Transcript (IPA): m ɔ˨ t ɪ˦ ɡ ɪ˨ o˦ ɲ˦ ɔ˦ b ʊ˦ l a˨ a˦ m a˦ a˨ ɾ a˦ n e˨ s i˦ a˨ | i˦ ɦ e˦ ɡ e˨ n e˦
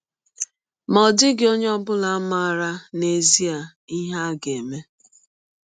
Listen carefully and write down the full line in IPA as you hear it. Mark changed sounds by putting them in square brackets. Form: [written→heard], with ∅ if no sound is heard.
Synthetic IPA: m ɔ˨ [t→d] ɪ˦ ɡ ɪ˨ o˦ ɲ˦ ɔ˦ b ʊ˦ l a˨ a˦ m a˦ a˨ ɾ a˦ n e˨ [s→z] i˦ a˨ | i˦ ɦ [e˦→a˦] ɡ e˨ [n→m] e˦